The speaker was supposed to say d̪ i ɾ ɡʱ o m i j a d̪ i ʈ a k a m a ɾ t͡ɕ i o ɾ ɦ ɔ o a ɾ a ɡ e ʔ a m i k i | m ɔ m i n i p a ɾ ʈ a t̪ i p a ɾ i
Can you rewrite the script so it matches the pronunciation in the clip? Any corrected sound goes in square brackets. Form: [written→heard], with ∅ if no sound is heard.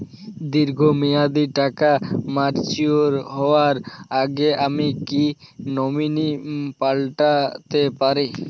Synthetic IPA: d̪ i ɾ ɡʱ o m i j a d̪ i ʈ a k a m a ɾ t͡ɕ i o ɾ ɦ ɔ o a ɾ a ɡ e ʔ a m i k i | [m→n] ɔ m i n i p a [ɾ→l] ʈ a t̪ [i→e] p a ɾ i

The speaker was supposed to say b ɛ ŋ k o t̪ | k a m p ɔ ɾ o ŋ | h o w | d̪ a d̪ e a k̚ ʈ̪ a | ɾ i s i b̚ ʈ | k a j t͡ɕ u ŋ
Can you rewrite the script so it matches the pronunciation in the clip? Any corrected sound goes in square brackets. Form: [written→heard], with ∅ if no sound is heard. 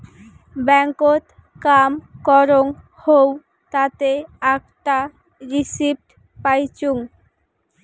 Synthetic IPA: b ɛ ŋ k o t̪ | k a m [p→k] ɔ ɾ o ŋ | h o w | [d̪→t̪] a [d̪→t̪] e a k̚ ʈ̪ a | ɾ i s i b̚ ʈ | [k→p] a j t͡ɕ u ŋ

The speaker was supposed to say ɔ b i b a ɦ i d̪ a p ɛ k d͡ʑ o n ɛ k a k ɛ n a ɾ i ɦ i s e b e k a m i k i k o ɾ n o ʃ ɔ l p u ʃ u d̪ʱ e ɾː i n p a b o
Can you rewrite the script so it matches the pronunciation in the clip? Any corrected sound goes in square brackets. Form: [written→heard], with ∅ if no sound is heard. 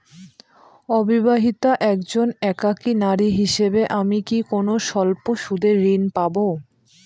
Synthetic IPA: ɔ b i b a ɦ i [d̪→t̪] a [p→ʔ] ɛ k d͡ʑ o n ɛ k a k [ɛ→i] n a ɾ i ɦ i [s→ʃ] e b e [k→ʔ] a m i k i k o [ɾ→∅] n o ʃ ɔ l p [u→o] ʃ u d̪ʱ e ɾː i n p a b o

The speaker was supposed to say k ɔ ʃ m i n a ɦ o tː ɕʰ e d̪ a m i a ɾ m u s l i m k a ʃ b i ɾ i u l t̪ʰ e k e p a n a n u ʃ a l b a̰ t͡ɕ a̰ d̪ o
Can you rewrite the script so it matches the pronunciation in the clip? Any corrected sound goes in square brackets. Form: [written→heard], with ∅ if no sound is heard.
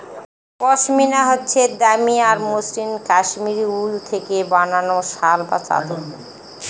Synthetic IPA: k ɔ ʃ m i n a ɦ o tː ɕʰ e d̪ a m i a ɾ m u s l i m k a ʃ [b→m] i ɾ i u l t̪ʰ e k e [p→b] a n a n [u→o] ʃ a l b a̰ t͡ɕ a̰ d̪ o

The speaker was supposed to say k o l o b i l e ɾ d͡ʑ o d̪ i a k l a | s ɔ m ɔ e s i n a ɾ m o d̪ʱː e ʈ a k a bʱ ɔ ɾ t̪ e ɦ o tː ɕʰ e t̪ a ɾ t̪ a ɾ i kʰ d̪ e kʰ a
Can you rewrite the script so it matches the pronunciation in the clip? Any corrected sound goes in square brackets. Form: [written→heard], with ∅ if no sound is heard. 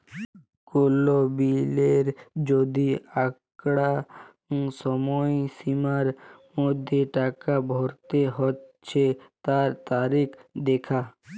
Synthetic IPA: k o l o b i l e ɾ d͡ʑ o d̪ i a k [l→ɽ] a | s ɔ m ɔ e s i [n→m] a ɾ m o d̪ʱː e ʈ a k a bʱ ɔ ɾ t̪ e ɦ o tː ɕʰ e t̪ a ɾ t̪ a ɾ i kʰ d̪ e kʰ a

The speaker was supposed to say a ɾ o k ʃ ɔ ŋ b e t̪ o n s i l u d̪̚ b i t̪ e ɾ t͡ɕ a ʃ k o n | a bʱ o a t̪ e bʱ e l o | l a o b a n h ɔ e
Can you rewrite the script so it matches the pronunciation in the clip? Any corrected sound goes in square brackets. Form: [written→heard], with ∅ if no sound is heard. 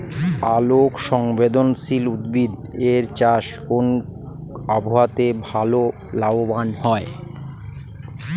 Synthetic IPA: a [ɾ→l] o k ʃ ɔ ŋ b e [t̪→d̪] o n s i l u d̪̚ b i [t̪→d̪] e ɾ t͡ɕ a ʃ k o n | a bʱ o a t̪ e bʱ [e→a] l o | l a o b a n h ɔ e

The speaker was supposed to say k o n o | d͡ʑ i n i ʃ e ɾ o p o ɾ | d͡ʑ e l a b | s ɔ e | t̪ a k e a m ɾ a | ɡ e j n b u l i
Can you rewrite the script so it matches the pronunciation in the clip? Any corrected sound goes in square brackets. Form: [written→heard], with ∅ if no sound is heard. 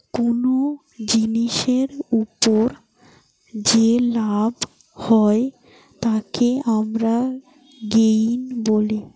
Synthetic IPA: k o n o | d͡ʑ i n i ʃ e ɾ [o→u] p o ɾ | d͡ʑ e l a b | [s→h] ɔ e | t̪ a k e a m ɾ a | ɡ e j n b [u→o] l i

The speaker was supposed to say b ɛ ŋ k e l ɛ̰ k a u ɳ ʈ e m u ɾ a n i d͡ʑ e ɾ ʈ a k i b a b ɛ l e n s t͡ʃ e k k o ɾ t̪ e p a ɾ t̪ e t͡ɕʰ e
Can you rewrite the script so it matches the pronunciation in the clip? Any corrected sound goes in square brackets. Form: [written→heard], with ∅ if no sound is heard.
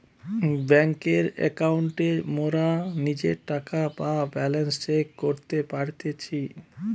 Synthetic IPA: b ɛ ŋ k e [l→ɾ] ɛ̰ k a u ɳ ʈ e m [u→o] ɾ a n i d͡ʑ e ɾ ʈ a k [i→a] b a b ɛ l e n s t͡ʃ e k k o ɾ t̪ e p a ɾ t̪ e t͡ɕʰ [e→i]

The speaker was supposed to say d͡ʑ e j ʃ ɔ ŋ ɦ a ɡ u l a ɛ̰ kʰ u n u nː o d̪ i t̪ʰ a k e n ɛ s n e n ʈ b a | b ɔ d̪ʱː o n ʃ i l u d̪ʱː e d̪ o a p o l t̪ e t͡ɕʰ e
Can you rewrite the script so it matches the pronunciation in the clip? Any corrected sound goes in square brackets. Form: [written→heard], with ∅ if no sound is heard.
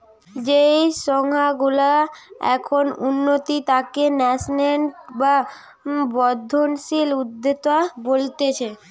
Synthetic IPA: d͡ʑ e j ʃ ɔ ŋ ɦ a ɡ u l a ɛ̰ kʰ [u→o] n u nː o [d̪→t̪] i [t̪ʰ→t̪] a k e n ɛ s n e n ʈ b a | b ɔ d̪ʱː o n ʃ i l u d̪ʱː e [d̪→t̪] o a [p→b] o l t̪ e t͡ɕʰ e

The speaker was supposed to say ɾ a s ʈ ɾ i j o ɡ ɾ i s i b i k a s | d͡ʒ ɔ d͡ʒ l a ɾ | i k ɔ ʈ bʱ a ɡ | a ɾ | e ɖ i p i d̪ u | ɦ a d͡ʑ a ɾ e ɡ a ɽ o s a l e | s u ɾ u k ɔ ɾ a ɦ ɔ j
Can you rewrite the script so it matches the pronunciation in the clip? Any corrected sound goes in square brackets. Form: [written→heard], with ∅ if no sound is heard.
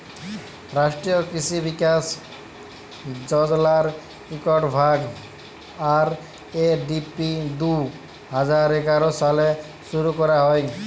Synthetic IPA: ɾ a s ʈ ɾ i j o [ɡ→k] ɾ i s i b i k a s | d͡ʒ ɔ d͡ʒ l a ɾ | i k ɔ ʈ bʱ a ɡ | a ɾ | e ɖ i p i d̪ u | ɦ a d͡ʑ a ɾ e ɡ a [ɽ→ɾ] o s a l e | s u ɾ u k ɔ ɾ a ɦ ɔ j

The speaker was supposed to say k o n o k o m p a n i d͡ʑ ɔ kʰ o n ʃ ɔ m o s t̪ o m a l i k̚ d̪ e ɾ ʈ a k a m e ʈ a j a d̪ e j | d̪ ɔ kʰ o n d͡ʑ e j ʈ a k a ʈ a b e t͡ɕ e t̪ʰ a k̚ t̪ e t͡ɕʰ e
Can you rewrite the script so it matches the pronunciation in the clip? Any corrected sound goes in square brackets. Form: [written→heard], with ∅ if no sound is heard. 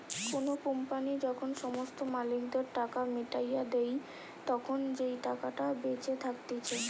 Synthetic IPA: k o n o k o m p a n i d͡ʑ ɔ kʰ o n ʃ ɔ m o s t̪ o m a l i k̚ d̪ e ɾ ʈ a k a m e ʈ a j a d̪ e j | [d̪→t̪] ɔ kʰ o n d͡ʑ e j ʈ a k a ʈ a b e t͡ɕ e t̪ʰ a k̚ t̪ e t͡ɕʰ e

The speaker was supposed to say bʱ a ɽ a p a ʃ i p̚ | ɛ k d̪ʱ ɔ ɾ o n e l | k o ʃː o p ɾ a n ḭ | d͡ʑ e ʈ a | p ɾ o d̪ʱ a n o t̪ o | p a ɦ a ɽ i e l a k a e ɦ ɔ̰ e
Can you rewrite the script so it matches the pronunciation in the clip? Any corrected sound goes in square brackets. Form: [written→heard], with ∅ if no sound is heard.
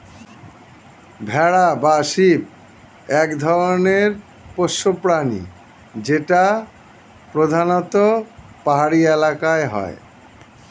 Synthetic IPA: bʱ [a→ɛ] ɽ a [p→b] a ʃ i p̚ | ɛ k d̪ʱ ɔ ɾ o n e [l→ɾ] | [k→p] o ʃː o p ɾ a n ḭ | d͡ʑ e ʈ a | p ɾ o d̪ʱ a n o t̪ o | p a ɦ a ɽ i e l a k a e ɦ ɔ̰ e

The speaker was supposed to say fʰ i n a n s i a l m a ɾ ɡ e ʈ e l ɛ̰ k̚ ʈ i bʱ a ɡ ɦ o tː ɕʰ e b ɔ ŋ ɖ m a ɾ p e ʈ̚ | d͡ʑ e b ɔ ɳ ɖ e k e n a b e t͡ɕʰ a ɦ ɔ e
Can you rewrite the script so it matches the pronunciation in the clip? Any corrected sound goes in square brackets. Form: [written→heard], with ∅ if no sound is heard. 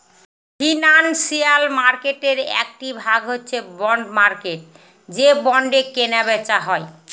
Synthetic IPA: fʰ i n a n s i a l m a ɾ [ɡ→k] e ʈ e [l→ɾ] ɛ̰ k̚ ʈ i bʱ a ɡ ɦ o tː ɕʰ e b ɔ [ŋ→ɳ] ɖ m a ɾ [p→k] e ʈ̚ | d͡ʑ e b ɔ ɳ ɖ e k e n a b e [t͡ɕʰ→t͡ɕ] a ɦ ɔ e

